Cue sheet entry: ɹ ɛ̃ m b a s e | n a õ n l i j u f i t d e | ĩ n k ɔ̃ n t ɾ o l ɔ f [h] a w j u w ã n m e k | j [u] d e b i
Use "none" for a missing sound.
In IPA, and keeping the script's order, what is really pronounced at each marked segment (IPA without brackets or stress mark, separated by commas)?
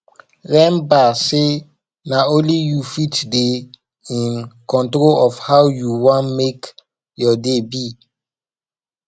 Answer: h, ɔ